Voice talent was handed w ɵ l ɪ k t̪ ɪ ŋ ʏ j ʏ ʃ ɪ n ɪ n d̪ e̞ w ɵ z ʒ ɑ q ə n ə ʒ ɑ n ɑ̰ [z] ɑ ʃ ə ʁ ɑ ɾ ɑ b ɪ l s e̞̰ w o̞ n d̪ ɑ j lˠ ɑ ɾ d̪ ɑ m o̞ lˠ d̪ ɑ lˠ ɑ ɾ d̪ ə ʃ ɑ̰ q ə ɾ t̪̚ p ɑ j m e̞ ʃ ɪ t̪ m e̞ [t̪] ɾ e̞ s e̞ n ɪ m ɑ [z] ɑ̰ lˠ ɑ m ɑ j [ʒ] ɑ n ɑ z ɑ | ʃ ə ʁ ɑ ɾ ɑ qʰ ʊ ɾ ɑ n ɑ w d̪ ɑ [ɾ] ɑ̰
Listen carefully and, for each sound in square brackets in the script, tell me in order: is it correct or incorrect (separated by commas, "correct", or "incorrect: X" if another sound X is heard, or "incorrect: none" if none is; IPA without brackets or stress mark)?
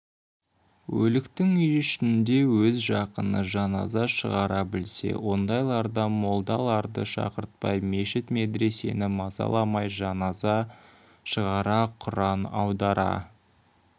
correct, incorrect: d̪, correct, correct, correct